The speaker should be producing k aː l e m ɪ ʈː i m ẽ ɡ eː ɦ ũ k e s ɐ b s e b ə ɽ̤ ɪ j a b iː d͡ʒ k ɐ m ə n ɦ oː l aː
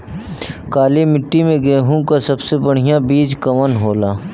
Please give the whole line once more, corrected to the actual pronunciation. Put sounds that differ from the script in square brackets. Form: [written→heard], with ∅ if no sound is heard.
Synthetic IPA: k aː l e m ɪ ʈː i m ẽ ɡ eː ɦ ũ k [e→a] s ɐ b s e b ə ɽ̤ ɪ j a b iː d͡ʒ k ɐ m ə n ɦ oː l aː